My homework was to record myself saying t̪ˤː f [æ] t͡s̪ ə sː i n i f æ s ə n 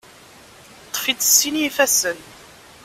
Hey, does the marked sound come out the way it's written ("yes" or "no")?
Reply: no